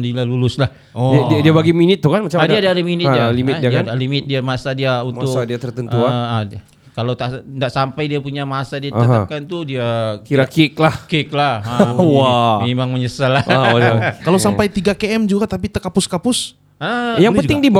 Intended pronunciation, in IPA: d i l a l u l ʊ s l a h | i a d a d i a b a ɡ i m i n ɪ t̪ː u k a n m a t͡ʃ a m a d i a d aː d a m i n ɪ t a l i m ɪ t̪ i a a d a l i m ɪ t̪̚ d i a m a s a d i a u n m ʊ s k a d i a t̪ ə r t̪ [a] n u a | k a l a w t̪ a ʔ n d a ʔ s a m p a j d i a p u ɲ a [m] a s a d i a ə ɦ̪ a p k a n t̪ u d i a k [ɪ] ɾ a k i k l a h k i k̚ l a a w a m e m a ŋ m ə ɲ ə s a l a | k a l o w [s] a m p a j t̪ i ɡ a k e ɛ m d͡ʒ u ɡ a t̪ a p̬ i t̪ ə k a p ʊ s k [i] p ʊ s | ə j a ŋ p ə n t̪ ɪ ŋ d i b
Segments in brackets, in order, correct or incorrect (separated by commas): incorrect, correct, incorrect, correct, incorrect